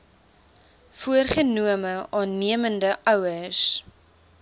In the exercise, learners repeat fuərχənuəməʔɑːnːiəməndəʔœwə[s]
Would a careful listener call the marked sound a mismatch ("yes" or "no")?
no